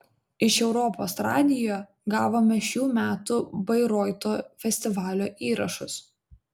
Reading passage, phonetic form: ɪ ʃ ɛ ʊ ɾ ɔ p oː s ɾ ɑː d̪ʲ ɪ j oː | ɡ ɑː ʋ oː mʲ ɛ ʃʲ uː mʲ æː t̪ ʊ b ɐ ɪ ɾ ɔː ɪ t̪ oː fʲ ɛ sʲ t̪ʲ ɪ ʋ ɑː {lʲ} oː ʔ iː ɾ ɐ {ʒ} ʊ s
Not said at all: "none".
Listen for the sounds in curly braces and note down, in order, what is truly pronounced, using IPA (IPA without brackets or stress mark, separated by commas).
lʲ, ʃ